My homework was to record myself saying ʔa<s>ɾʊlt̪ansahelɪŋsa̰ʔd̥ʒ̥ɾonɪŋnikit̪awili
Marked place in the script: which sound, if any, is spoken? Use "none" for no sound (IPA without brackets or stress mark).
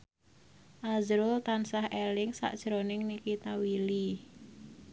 z